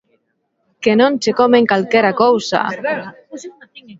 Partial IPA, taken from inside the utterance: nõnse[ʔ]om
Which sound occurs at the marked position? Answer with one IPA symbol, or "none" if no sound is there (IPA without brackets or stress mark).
k